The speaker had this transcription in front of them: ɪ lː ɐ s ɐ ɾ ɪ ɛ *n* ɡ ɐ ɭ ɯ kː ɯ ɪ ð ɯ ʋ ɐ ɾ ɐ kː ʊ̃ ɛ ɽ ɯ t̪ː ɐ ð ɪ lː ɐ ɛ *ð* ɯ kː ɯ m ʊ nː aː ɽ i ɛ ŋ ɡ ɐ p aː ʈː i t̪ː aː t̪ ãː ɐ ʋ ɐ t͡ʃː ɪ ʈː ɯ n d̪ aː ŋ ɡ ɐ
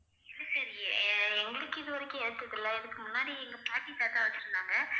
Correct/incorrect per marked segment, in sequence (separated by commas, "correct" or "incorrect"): incorrect, correct